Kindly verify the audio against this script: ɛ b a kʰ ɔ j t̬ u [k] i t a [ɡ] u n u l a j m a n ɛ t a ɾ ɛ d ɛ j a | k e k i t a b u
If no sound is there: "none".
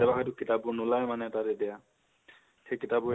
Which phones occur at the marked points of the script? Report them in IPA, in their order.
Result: k, b

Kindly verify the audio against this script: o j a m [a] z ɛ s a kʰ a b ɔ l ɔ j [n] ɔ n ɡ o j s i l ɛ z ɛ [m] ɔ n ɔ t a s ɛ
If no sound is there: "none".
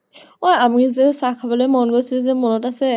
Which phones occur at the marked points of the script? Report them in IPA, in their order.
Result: i, m, m

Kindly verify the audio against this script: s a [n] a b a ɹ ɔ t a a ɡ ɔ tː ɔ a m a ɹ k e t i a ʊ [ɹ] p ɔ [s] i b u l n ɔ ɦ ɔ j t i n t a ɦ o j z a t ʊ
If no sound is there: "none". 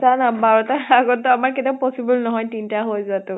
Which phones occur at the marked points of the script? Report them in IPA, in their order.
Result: n, none, s

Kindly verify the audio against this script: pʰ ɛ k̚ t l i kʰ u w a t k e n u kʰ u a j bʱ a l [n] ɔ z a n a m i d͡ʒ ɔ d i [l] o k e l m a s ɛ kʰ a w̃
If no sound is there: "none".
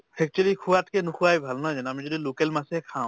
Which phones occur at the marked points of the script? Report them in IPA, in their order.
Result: n, l

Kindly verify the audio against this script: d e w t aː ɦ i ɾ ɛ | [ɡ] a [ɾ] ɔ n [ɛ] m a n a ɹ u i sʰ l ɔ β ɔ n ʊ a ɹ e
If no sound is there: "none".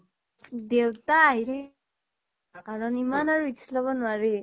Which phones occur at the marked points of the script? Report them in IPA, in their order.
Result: k, ɹ, i

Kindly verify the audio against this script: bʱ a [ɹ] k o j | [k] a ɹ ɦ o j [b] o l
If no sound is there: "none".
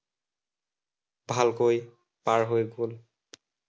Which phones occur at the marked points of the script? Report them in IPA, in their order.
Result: l, p, ɡ

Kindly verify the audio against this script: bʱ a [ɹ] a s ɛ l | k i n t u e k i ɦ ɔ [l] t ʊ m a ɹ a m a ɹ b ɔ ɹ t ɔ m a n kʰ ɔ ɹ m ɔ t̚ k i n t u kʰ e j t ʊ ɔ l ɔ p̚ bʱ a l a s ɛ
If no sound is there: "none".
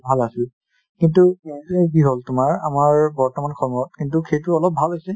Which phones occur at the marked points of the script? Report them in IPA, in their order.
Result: l, l

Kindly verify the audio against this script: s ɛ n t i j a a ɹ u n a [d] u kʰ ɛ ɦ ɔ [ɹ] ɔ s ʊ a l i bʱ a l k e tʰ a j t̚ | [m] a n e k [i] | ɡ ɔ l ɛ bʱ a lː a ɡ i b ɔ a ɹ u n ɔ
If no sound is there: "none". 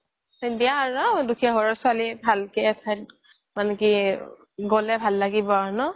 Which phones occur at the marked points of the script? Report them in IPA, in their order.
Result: d, ɹ, m, i

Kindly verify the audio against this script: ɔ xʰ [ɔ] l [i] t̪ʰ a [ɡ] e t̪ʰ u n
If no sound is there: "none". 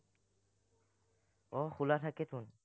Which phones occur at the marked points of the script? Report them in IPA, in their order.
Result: u, a, k

